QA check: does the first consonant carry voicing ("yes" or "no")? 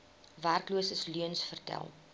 yes